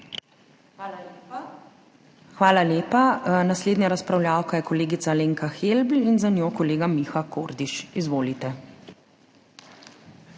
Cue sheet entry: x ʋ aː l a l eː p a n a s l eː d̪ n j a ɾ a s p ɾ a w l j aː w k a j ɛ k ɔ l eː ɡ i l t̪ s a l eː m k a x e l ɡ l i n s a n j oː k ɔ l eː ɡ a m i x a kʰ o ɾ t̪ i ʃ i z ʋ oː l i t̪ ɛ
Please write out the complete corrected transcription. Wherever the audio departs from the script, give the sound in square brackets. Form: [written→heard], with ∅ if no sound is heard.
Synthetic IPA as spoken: x ʋ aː l a l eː p a n a s l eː d̪ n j a ɾ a s p ɾ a w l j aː w k a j ɛ k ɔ l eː ɡ i [l→∅] t̪ s a l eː [m→ŋ] k a x e l [ɡ→b] l i n [s→z] a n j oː k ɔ l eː ɡ a m i x a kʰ o ɾ [t̪→d̪] i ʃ i z ʋ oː l i t̪ ɛ